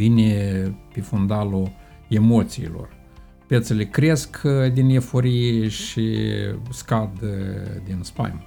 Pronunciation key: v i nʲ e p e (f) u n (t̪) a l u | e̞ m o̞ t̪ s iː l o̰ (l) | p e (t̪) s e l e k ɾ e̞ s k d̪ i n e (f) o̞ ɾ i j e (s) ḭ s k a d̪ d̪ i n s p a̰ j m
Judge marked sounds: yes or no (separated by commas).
yes, no, no, yes, yes, no